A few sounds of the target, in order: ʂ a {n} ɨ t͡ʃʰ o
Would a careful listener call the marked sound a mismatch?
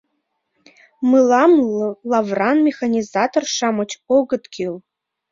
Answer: yes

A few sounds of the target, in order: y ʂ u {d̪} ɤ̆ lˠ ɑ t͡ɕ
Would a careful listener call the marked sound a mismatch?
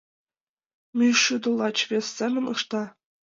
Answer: no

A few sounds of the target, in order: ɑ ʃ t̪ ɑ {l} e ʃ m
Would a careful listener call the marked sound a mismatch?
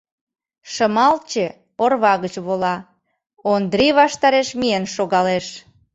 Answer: yes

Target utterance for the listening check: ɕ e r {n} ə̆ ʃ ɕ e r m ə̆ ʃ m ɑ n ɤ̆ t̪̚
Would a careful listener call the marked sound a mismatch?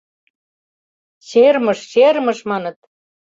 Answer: yes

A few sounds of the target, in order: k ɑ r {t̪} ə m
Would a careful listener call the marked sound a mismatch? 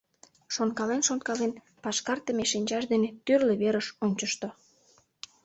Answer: no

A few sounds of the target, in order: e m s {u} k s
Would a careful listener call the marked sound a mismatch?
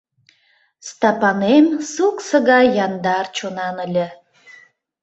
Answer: no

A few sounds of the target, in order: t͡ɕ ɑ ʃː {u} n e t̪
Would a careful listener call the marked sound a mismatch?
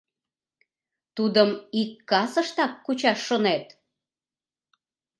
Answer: yes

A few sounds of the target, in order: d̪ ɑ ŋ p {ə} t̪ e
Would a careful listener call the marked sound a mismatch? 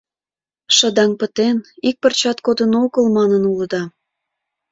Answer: no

